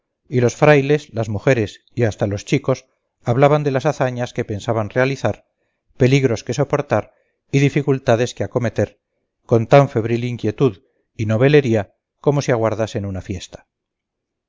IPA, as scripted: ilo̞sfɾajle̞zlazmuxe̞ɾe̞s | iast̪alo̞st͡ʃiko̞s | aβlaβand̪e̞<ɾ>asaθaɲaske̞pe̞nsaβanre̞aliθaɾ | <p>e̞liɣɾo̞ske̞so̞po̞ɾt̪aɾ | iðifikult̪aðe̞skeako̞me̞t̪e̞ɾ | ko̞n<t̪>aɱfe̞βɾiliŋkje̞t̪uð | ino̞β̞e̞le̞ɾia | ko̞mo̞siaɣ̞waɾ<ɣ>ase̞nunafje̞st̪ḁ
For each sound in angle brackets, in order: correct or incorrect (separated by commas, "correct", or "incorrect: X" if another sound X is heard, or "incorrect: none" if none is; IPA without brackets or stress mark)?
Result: incorrect: l, correct, correct, incorrect: ð